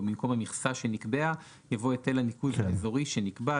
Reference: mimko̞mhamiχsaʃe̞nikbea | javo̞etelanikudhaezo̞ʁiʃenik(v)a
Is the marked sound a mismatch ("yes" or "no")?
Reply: yes